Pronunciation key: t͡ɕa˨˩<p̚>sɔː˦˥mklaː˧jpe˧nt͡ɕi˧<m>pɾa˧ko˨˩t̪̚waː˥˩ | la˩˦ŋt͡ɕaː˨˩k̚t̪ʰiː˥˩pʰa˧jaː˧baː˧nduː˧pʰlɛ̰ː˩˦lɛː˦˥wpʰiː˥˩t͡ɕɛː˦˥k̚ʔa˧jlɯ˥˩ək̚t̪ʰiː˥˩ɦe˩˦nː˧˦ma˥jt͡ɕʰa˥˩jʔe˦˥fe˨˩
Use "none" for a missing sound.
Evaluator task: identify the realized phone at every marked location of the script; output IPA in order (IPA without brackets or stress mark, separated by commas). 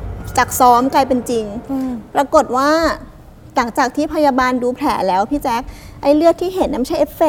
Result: k̚, ŋ